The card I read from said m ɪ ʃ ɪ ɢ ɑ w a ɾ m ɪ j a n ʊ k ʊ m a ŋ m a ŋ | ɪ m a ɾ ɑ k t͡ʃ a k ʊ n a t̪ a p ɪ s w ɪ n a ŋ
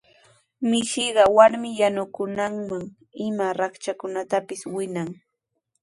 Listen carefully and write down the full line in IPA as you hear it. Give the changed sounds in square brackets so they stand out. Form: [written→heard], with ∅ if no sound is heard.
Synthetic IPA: m ɪ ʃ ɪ ɢ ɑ w a ɾ m ɪ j a n ʊ k ʊ [m→n] a ŋ m a ŋ | ɪ m a ɾ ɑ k t͡ʃ a k ʊ n a t̪ a p ɪ s w ɪ n a ŋ